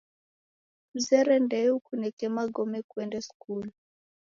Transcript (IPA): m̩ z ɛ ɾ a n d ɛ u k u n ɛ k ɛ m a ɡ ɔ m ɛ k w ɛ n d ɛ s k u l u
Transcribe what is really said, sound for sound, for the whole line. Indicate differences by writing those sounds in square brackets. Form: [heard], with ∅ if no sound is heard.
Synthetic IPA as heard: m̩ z ɛ ɾ [ɛ] n d ɛ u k u n ɛ k ɛ m a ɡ ɔ m ɛ k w ɛ n d ɛ s k u l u